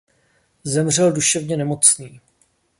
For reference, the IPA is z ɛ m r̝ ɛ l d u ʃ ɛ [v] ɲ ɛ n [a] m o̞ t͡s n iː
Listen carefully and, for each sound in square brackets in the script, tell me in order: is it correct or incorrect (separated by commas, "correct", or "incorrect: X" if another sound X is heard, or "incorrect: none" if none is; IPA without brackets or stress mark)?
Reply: correct, incorrect: ɛ